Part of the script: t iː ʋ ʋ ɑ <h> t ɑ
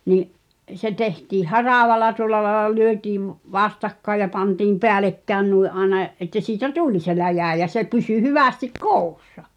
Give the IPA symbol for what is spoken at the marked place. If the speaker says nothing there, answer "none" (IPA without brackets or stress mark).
s